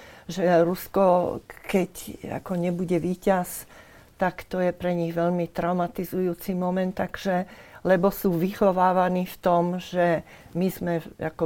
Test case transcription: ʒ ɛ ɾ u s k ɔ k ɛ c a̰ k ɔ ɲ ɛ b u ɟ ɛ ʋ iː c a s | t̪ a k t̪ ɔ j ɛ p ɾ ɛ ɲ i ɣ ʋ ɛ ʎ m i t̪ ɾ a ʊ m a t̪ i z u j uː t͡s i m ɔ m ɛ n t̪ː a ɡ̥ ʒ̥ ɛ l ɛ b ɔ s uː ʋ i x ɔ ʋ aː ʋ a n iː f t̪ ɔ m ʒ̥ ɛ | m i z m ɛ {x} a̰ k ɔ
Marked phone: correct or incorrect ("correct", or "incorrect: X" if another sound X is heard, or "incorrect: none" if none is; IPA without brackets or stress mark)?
incorrect: none